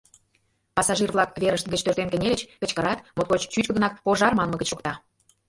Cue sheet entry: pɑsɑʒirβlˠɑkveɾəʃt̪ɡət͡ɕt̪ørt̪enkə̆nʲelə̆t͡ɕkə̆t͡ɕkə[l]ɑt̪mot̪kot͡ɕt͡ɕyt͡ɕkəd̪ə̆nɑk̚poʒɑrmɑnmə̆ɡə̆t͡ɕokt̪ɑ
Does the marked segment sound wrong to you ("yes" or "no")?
yes